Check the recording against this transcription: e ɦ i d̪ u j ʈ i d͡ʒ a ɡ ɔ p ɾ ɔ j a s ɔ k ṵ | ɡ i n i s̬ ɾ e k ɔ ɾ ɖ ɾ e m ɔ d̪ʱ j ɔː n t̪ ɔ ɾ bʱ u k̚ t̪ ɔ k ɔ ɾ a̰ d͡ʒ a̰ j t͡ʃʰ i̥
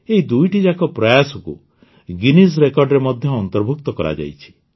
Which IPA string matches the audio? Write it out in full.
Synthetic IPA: e ɦ i d̪ u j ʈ i d͡ʒ a k ɔ p ɾ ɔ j a s ɔ k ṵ | ɡ i n i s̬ ɾ e k ɔ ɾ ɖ ɾ e m ɔ d̪ʱ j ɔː n t̪ ɔ ɾ bʱ u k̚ t̪ ɔ k ɔ ɾ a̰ d͡ʒ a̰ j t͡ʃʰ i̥